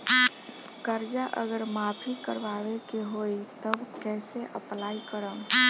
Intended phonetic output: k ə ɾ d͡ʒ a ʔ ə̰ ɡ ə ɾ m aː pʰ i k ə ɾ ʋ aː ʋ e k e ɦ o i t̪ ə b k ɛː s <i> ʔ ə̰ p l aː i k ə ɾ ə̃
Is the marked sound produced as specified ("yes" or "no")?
no